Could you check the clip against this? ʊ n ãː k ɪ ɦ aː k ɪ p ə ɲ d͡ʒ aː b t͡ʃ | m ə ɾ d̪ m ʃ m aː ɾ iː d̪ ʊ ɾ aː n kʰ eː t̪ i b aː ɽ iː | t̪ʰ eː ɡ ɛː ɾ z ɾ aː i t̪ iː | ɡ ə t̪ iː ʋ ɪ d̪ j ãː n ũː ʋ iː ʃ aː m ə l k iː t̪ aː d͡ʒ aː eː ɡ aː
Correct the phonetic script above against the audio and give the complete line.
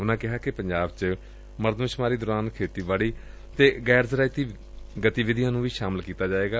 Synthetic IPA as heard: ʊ n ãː k ɪ ɦ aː k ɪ p ə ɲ d͡ʒ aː b t͡ʃ | m ə ɾ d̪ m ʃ m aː ɾ iː d̪ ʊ ɾ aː n kʰ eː t̪ iː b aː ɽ iː | t̪ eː ɡ ɛː ɾ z ɾ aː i t̪ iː | ɡ ə t̪ iː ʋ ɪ d̪ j ãː n ũː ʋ iː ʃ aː m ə l k iː t̪ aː d͡ʒ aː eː ɡ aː